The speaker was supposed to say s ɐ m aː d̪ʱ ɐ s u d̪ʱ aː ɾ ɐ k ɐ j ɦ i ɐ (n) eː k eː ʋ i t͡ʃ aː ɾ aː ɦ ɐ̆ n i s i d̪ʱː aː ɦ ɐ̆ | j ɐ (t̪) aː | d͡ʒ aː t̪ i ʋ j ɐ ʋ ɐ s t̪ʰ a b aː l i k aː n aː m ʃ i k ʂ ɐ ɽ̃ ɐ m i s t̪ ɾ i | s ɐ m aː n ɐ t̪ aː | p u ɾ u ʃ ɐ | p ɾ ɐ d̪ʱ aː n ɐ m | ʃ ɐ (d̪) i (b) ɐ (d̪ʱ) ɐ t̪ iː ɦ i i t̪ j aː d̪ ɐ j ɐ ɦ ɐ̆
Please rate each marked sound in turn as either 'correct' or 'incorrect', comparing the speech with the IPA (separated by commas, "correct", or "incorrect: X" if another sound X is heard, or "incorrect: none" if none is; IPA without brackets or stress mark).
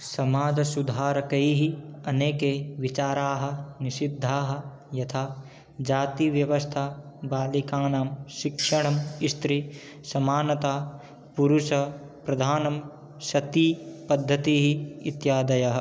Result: correct, incorrect: t̪ʰ, incorrect: t̪, incorrect: p, incorrect: d̪ʱː